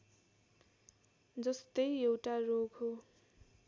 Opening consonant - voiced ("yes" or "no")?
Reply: yes